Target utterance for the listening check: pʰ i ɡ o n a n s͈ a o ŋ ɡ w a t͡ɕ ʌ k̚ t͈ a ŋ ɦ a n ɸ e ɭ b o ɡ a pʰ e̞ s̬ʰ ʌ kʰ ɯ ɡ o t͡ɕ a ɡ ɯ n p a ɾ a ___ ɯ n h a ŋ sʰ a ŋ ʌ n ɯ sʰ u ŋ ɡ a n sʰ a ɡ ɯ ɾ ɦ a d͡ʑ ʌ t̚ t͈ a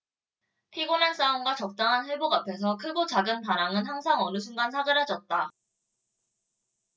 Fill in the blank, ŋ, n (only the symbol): ŋ